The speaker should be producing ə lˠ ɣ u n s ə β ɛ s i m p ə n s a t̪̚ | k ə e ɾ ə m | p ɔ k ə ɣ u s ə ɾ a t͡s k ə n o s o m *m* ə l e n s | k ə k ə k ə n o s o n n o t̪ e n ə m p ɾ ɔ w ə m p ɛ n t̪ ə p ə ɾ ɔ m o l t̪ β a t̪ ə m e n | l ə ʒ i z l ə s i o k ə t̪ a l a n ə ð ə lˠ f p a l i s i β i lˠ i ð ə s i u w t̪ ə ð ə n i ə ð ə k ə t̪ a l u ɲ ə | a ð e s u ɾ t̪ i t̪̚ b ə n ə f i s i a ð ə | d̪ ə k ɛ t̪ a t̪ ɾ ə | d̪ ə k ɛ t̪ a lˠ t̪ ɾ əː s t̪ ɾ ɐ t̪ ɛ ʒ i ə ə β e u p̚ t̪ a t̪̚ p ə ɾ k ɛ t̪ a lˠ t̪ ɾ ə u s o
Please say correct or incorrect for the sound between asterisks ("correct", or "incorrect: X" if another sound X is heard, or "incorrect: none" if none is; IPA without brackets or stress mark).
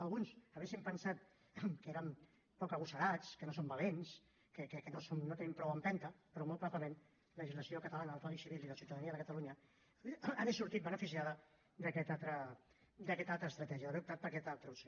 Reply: incorrect: b